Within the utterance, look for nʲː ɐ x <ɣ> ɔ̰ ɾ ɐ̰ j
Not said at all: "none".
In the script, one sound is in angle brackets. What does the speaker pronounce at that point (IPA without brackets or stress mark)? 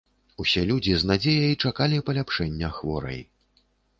v